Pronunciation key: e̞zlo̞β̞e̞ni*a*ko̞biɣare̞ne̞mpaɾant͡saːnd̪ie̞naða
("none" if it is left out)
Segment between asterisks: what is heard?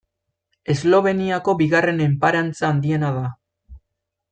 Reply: a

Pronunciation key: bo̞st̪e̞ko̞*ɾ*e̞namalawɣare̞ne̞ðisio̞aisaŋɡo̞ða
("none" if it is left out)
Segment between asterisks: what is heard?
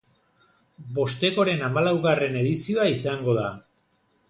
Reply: ɾ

